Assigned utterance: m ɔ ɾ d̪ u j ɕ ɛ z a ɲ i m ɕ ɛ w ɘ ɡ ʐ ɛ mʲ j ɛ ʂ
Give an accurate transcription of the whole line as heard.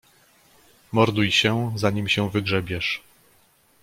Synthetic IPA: m ɔ ɾ d̪ u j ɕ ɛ z a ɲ i m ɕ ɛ v ɘ ɡ ʐ ɛ bʲ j ɛ ʂ